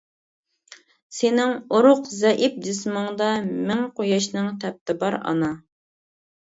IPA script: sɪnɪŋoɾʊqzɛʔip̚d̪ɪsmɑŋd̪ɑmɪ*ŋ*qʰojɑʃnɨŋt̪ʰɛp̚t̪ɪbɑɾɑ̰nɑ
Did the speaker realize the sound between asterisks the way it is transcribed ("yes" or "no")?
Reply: yes